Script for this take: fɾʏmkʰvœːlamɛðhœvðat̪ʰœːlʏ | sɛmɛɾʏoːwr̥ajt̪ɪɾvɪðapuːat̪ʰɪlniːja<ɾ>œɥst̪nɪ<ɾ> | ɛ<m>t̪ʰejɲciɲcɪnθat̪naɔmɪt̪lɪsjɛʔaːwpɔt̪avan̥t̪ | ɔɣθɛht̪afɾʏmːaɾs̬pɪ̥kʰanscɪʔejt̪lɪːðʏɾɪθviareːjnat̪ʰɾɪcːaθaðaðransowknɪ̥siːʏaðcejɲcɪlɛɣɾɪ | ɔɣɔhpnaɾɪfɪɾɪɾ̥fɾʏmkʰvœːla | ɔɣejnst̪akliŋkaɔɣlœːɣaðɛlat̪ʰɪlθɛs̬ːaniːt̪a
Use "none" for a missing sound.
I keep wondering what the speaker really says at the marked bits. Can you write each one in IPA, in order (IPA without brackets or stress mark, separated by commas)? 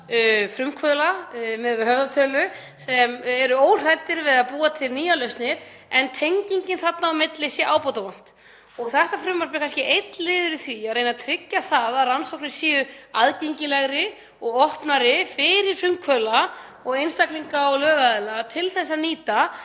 l, ɾ, n